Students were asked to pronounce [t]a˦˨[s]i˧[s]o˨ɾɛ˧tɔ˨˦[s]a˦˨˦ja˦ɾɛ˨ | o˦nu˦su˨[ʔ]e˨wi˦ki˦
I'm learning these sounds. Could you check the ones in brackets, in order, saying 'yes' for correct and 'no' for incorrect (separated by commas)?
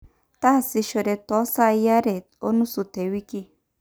yes, yes, no, yes, no